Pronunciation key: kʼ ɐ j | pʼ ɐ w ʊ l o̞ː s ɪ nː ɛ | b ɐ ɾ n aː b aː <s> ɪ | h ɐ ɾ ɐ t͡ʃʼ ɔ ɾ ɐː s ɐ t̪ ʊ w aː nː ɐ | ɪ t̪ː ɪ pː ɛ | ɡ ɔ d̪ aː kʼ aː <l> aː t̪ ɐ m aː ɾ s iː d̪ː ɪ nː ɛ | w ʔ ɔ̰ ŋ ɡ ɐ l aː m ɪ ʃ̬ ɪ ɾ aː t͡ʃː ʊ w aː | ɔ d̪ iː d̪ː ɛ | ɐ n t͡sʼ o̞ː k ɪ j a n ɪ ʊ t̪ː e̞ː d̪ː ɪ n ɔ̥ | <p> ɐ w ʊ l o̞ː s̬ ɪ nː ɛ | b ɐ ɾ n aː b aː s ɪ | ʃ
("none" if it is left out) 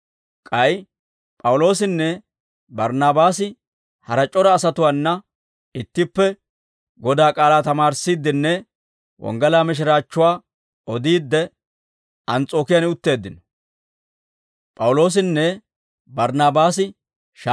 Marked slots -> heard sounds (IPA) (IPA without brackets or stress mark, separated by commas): s, l, pʼ